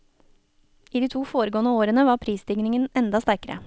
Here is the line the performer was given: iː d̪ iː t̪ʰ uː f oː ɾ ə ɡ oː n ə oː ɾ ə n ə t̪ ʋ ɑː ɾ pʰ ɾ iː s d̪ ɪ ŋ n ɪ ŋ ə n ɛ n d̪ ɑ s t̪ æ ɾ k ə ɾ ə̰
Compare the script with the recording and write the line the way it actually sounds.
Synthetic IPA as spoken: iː d̪ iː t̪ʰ uː f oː ɾ ə ɡ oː n ə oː ɾ ə n ə ʋ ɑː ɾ pʰ ɾ iː s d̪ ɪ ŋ n ɪ ŋ ə n ɛ n d̪ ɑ s t̪ æ ɾ k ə ɾ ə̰